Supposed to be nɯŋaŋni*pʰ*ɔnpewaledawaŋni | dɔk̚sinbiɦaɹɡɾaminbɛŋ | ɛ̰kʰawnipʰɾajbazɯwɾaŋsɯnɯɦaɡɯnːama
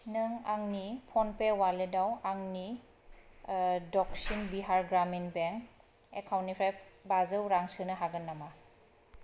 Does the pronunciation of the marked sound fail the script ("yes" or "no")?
no